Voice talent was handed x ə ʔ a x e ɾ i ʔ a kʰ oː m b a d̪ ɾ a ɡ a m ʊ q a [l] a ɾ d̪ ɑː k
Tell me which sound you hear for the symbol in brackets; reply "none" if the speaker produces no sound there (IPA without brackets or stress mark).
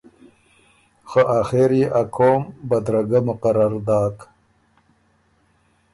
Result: ɾ